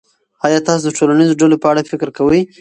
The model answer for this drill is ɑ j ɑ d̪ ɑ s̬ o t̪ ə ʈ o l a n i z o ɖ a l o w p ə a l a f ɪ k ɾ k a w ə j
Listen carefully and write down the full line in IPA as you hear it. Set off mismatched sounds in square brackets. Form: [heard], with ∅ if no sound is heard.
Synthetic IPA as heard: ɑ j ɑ [t̪] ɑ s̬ o [d̪] ə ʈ o l a n i z o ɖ a l o [∅] p ə a [ɽ] a f ɪ k ɾ k a w ə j